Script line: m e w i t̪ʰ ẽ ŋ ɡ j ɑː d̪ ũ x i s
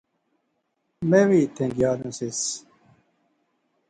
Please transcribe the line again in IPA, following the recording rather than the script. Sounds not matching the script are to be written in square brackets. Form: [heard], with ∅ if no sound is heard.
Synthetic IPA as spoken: m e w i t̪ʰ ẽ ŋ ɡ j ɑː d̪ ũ [s] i s